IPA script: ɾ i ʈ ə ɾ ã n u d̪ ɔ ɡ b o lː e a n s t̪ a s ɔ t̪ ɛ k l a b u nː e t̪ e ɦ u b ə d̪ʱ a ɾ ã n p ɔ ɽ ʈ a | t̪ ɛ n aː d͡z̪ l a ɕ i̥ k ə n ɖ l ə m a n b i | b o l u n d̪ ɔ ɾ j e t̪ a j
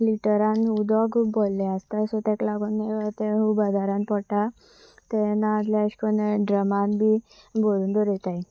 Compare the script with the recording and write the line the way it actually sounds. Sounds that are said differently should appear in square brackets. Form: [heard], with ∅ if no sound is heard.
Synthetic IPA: [l] i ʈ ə ɾ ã n u d̪ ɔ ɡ b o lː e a [∅] s t̪ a s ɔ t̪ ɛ k l a [ɡ] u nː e t̪ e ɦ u b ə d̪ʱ a ɾ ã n p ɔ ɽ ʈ a | t̪ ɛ n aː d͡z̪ l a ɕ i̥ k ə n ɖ [ɾ] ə m a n b i | b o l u n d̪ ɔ ɾ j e t̪ a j